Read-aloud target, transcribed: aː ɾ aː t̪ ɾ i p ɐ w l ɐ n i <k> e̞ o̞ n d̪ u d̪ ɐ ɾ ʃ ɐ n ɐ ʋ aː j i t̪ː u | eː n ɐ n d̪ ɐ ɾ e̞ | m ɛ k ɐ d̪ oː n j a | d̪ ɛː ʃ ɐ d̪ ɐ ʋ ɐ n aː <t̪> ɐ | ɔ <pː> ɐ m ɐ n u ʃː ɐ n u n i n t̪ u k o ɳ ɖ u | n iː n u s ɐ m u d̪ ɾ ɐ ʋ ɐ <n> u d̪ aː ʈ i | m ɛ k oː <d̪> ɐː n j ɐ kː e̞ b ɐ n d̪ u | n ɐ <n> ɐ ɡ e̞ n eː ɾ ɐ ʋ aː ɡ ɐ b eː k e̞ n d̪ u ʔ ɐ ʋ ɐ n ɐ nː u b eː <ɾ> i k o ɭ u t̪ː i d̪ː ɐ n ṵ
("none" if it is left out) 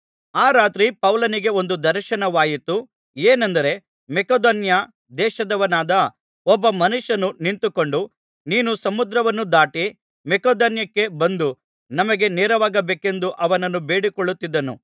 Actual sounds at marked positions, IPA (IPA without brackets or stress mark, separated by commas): ɡ, d̪, bː, nː, d̪, m, ɽ